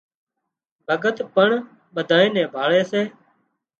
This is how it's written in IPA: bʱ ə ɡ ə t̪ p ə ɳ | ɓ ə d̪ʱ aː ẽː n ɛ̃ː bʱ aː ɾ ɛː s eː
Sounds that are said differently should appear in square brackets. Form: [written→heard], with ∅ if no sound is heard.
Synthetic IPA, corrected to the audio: bʱ ə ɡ ə t̪ p ə ɳ | ɓ ə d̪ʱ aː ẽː n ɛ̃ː bʱ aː [ɾ→ɭ] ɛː s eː